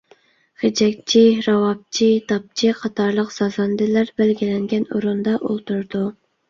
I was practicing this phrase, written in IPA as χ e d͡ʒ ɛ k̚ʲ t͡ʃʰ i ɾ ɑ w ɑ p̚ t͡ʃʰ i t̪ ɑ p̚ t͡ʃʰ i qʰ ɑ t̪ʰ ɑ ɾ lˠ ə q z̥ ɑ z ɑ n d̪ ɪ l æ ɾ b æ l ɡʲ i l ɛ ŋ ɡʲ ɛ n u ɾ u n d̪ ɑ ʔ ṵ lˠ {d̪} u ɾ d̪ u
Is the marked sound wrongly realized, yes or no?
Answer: yes